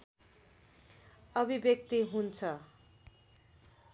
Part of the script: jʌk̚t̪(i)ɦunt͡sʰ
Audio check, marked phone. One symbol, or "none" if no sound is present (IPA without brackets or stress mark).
i